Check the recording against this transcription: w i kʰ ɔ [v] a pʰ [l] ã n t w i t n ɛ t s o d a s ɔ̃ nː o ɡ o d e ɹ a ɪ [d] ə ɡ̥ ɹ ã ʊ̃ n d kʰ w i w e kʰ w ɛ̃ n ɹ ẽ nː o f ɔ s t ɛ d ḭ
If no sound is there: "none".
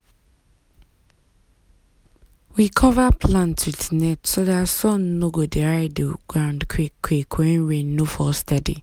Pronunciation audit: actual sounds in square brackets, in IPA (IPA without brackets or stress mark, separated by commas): v, l, d